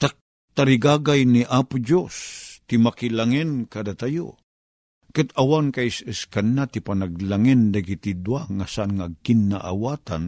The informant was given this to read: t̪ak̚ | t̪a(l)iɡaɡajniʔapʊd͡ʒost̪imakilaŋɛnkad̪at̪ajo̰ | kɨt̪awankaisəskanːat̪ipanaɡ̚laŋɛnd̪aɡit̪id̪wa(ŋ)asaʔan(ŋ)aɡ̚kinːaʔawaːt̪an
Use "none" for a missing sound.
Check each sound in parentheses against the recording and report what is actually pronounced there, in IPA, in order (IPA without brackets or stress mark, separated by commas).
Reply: ɾ, ŋ, ŋ